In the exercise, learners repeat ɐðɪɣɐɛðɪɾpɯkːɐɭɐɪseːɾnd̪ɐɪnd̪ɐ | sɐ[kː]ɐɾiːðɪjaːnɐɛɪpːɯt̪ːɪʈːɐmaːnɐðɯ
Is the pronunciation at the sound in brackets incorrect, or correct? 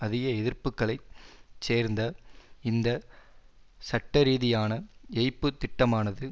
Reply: incorrect